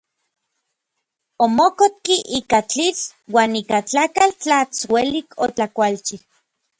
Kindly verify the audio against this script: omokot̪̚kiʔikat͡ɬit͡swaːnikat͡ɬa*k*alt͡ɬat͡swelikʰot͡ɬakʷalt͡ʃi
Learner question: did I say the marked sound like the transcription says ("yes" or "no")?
yes